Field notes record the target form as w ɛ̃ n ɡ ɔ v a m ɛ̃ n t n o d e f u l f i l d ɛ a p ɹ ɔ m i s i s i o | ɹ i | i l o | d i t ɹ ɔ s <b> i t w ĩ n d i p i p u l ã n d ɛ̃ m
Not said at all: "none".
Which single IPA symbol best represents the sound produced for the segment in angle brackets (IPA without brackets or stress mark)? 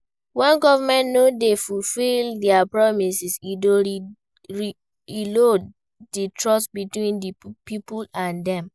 b